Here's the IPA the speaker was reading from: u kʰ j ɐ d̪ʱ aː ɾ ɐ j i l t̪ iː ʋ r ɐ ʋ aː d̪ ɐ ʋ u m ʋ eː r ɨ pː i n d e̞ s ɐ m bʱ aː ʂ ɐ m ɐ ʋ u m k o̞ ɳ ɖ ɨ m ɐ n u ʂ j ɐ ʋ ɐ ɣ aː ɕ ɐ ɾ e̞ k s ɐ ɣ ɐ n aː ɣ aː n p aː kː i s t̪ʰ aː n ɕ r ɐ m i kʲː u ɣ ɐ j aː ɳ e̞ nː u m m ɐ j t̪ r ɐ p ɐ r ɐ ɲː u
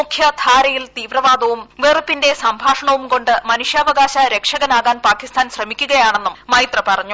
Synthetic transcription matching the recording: u kʰ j ɐ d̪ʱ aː ɾ ɐ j i l t̪ iː ʋ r ɐ ʋ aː d̪ ɐ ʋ u m ʋ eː r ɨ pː i n d e̞ s ɐ m bʱ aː ʂ ɐ ɳ ɐ ʋ u m k o̞ ɳ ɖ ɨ m ɐ n u ʂ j ɐ ʋ ɐ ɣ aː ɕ ɐ ɾ e̞ k ʂ ɐ ɣ ɐ n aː ɣ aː n p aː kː i s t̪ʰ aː n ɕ r ɐ m i kʲː u ɣ ɐ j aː ɳ e̞ nː u m m ɐ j t̪ r ɐ p ɐ r ɐ ɲː u